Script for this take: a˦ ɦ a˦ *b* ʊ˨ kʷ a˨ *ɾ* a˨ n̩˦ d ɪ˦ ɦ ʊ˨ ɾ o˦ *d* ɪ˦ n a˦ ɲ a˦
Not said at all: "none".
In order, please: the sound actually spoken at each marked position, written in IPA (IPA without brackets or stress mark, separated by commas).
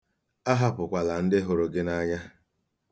p, l, ɡ